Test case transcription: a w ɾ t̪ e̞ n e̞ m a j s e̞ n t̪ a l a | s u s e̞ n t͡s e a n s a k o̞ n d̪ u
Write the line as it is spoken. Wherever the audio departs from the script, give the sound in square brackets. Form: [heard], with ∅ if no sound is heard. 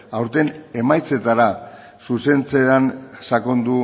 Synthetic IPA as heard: a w ɾ t̪ e̞ n e̞ m a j [t͡s] e̞ [∅] t̪ a [ɾ] a | s u s e̞ n t͡s e a n s a k o̞ n d̪ u